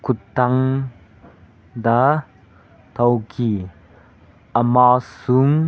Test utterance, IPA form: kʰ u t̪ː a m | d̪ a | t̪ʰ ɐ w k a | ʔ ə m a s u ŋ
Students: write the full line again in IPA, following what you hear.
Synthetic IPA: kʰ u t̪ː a ŋ | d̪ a | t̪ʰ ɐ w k i | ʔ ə m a s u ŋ

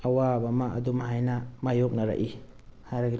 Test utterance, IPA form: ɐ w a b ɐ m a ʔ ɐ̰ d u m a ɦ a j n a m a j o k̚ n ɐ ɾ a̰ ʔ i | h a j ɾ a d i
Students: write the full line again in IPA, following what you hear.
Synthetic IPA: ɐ w a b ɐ m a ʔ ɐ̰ d u m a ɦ a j n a m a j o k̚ n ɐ ɾ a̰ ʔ i | h a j ɾ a ɡ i

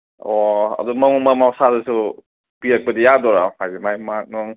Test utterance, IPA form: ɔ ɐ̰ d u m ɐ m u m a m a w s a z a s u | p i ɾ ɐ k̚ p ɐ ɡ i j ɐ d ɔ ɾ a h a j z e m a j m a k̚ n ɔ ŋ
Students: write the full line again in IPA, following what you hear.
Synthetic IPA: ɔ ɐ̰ d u m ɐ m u m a m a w s a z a s u | p i ɾ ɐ k̚ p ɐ d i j a d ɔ ɾ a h a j z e m a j m a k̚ n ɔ ŋ

